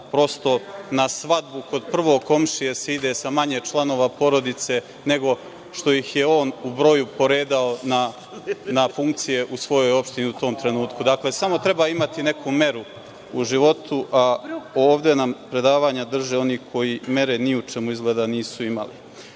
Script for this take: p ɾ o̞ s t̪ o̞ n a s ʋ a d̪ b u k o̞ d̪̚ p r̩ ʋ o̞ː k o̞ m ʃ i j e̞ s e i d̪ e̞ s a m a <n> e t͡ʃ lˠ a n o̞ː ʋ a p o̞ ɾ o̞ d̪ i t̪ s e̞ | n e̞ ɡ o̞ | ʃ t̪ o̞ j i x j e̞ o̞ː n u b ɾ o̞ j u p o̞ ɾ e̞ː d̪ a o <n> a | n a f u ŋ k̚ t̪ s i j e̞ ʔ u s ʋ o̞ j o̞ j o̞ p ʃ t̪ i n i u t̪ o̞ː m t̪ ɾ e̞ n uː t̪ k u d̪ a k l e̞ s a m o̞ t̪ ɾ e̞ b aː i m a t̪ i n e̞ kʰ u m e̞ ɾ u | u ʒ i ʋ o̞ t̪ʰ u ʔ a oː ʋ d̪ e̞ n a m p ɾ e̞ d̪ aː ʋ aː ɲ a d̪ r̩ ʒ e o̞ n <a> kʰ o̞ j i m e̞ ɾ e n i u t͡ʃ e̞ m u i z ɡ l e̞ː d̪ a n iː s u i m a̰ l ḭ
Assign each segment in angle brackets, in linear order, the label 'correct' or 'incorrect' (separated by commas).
incorrect, correct, incorrect